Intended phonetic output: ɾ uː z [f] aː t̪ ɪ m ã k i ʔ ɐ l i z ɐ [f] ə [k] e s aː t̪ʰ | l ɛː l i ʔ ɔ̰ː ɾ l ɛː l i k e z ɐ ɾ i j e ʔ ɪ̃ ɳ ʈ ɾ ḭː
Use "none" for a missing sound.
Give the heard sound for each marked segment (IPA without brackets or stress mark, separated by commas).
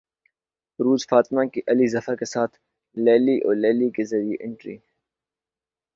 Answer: f, f, k